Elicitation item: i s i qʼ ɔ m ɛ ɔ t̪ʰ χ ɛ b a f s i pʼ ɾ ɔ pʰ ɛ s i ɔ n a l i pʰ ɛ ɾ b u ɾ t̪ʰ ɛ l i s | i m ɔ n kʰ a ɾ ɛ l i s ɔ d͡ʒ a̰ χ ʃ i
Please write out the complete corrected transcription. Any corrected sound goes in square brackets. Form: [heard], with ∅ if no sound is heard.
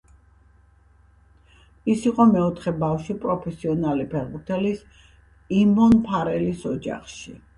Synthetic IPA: i s i qʼ ɔ m ɛ ɔ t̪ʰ χ ɛ b a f [ʃ] i pʼ ɾ ɔ pʰ ɛ s i ɔ n a l i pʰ ɛ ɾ b u ɾ t̪ʰ ɛ l i s | i m ɔ n [pʰ] a ɾ ɛ l i s ɔ d͡ʒ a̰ χ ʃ i

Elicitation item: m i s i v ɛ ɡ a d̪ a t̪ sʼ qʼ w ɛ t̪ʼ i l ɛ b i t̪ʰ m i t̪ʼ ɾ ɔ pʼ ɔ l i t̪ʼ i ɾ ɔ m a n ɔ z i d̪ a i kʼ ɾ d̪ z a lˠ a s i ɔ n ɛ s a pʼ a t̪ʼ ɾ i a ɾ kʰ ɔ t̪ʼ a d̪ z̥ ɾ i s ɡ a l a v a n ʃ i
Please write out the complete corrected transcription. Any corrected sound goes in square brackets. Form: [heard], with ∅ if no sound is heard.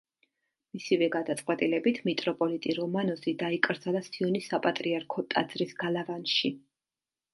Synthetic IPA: m i s i v ɛ ɡ a d̪ a t̪ sʼ qʼ w ɛ t̪ʼ i l ɛ b i t̪ʰ m i t̪ʼ ɾ ɔ pʼ ɔ l i t̪ʼ i ɾ ɔ m a n ɔ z i d̪ a i kʼ ɾ d̪ z a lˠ a s i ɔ n [i] s a pʼ a t̪ʼ ɾ i a ɾ kʰ ɔ t̪ʼ a d̪ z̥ ɾ i s ɡ a l a v a n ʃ i

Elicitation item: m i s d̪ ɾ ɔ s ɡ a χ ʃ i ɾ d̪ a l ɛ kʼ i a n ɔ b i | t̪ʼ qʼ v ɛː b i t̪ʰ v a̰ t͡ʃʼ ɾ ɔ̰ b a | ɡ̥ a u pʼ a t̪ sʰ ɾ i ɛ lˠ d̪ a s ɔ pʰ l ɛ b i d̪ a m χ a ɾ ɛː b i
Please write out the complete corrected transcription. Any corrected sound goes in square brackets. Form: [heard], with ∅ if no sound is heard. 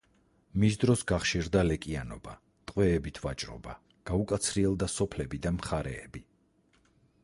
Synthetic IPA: m i s d̪ ɾ ɔ s ɡ a χ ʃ i ɾ d̪ a l ɛ kʼ i a n ɔ b [a] | t̪ʼ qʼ [w] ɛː b i t̪ʰ v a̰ t͡ʃʼ ɾ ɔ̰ b a | ɡ̥ a u [kʼ] a t̪ sʰ ɾ i ɛ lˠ d̪ a s ɔ pʰ l ɛ b i d̪ a m χ a ɾ ɛː b i

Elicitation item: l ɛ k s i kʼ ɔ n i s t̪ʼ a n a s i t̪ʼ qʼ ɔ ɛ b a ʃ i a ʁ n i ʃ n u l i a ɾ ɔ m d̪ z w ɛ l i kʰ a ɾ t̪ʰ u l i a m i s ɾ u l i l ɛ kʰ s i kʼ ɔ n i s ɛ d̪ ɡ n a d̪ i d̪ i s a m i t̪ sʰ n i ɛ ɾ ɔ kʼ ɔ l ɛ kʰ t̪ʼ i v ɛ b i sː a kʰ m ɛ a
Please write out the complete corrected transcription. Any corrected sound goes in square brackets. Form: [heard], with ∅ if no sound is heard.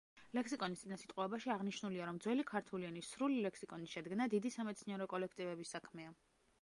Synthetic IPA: l ɛ k s i kʼ ɔ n i s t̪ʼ [i] n a s i t̪ʼ qʼ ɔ ɛ b a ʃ i a ʁ n i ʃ n u l i a ɾ ɔ m d̪ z w ɛ l i kʰ a ɾ t̪ʰ u l i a [n] i s ɾ u l i l ɛ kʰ s i kʼ ɔ n i [ʃ] ɛ d̪ ɡ n a d̪ i d̪ i s a m [ɛ] t̪ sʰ n i ɛ ɾ ɔ kʼ ɔ l ɛ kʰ t̪ʼ i v ɛ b i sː a kʰ m ɛ a

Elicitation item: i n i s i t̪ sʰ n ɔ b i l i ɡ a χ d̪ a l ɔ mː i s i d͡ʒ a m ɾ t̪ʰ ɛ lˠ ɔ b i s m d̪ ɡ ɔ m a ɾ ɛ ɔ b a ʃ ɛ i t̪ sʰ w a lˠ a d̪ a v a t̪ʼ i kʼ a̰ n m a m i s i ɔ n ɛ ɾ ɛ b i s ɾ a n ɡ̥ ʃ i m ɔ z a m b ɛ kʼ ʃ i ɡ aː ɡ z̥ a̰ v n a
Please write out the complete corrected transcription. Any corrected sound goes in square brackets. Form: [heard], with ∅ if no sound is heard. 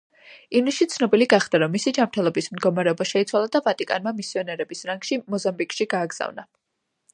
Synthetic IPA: i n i [ʃ] i t̪ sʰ n ɔ b i l i ɡ a χ d̪ a [ɾ] ɔ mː i s i d͡ʒ a m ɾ t̪ʰ ɛ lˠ ɔ b i s m d̪ ɡ ɔ m a ɾ ɛ ɔ b a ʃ ɛ i t̪ sʰ w a lˠ a d̪ a v a t̪ʼ i kʼ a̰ n m a m i s i ɔ n ɛ ɾ ɛ b i s ɾ a [ŋ] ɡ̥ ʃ i m ɔ z a m b [i] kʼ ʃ i ɡ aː ɡ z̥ a̰ v n a

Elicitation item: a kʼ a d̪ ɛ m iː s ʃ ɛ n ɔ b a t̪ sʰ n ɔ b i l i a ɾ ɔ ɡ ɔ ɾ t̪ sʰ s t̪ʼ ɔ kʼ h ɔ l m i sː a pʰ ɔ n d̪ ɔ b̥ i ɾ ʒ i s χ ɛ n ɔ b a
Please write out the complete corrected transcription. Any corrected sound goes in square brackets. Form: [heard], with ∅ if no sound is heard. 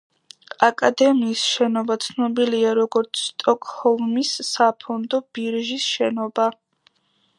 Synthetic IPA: a kʼ a d̪ ɛ m iː s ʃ ɛ n ɔ b a t̪ sʰ n ɔ b i l i a ɾ ɔ ɡ ɔ ɾ t̪ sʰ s t̪ʼ ɔ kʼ h ɔ l m i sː a pʰ ɔ n d̪ ɔ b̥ i ɾ ʒ i s [ʃ] ɛ n ɔ b a

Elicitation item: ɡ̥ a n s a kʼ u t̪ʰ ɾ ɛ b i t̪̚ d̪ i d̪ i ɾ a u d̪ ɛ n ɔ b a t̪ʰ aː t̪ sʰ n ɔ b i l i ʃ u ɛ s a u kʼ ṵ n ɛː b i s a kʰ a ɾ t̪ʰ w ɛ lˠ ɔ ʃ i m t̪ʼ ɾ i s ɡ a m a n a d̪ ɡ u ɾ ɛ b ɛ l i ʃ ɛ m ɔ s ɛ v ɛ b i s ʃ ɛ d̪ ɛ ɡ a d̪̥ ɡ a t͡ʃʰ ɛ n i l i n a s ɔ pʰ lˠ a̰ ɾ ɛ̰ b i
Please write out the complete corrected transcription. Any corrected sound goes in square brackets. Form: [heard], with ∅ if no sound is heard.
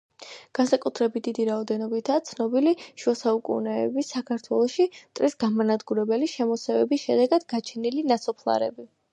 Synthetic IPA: ɡ̥ a n s a kʼ u t̪ʰ ɾ ɛ b i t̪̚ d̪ i d̪ i ɾ a [ɔ] d̪ ɛ n ɔ b [i] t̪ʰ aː t̪ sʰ n ɔ b i l i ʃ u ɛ s a u kʼ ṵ n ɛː b i s a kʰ a ɾ t̪ʰ w ɛ lˠ ɔ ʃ i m t̪ʼ ɾ i s ɡ a m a n a d̪ ɡ u ɾ ɛ b ɛ l i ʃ ɛ m ɔ s ɛ v ɛ b i s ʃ ɛ d̪ ɛ ɡ a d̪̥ ɡ a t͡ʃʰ ɛ n i l i n a s ɔ pʰ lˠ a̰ ɾ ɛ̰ b i

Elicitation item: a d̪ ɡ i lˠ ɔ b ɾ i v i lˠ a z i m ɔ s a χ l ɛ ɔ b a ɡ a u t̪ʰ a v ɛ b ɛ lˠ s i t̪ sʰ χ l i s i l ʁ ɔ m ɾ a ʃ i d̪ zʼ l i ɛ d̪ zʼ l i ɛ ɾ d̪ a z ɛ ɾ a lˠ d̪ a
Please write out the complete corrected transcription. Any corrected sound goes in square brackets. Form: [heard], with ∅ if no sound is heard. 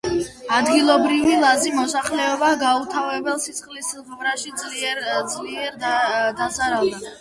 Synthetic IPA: a d̪ ɡ i lˠ ɔ b ɾ i v i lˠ a z i m ɔ s a χ l ɛ ɔ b a ɡ a u t̪ʰ a v ɛ b ɛ lˠ s i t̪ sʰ χ l i s i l ʁ ɔ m ɾ a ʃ i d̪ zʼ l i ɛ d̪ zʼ l i ɛ ɾ d̪ a z [a] ɾ a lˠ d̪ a

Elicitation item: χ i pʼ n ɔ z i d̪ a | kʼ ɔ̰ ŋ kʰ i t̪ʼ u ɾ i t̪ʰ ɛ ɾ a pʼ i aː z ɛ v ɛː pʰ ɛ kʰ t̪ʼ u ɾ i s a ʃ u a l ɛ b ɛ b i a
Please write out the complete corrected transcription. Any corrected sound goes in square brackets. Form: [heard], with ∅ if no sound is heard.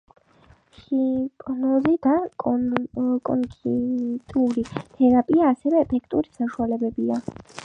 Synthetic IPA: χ i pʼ n ɔ z i d̪ a | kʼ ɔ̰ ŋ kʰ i t̪ʼ u ɾ i t̪ʰ ɛ ɾ a pʼ i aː [s] ɛ v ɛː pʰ ɛ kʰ t̪ʼ u ɾ i s a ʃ u a l ɛ b ɛ b i a

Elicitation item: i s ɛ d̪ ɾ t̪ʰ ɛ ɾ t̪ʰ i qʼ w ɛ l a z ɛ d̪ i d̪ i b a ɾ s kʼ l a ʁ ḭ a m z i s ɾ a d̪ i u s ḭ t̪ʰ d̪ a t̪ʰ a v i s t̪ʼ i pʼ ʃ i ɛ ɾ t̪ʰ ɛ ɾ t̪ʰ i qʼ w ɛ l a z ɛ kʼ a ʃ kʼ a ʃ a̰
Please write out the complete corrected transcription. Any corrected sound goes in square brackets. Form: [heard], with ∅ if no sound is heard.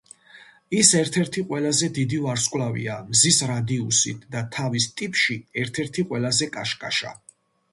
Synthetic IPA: i s ɛ [∅] ɾ t̪ʰ ɛ ɾ t̪ʰ i qʼ w ɛ l a z ɛ d̪ i d̪ i [v] a ɾ s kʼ l a [v] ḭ a m z i s ɾ a d̪ i u s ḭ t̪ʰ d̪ a t̪ʰ a v i s t̪ʼ i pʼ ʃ i ɛ ɾ t̪ʰ ɛ ɾ t̪ʰ i qʼ w ɛ l a z ɛ kʼ a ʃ kʼ a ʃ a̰

